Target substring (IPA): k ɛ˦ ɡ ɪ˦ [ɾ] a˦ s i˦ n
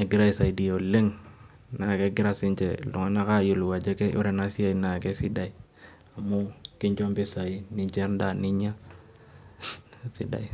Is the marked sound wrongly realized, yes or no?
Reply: no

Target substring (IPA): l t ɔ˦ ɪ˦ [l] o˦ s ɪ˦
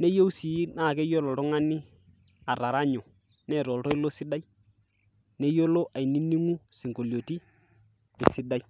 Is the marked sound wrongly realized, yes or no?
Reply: no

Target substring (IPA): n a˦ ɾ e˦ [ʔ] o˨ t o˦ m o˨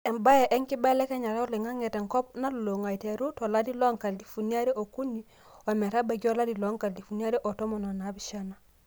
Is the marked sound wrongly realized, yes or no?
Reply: no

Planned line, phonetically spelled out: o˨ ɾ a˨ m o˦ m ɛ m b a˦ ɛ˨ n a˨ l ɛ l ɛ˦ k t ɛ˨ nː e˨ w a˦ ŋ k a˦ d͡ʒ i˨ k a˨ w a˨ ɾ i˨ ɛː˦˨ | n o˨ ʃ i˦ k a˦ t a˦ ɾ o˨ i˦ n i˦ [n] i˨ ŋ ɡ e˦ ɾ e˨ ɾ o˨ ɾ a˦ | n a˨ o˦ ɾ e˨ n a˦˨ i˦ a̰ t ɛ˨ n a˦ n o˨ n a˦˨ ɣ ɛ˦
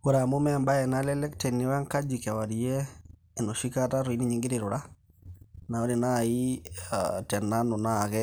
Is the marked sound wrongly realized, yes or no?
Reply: yes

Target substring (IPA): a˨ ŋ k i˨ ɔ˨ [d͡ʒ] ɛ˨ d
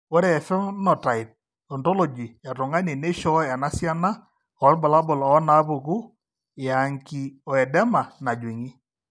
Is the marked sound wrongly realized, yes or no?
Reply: yes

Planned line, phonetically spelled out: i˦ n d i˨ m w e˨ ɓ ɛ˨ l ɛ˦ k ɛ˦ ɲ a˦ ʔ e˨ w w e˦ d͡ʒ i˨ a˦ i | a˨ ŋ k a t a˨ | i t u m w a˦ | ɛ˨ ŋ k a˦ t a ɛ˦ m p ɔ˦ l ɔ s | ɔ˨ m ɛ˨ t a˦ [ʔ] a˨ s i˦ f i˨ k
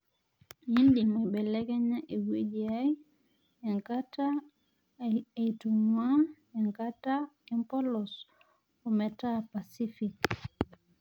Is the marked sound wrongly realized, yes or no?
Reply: yes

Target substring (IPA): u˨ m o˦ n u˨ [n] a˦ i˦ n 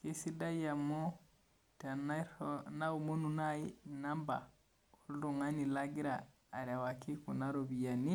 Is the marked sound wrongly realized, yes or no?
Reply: no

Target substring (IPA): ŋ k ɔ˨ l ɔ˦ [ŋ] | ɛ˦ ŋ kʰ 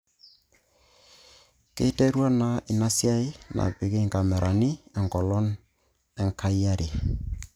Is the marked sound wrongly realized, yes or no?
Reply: yes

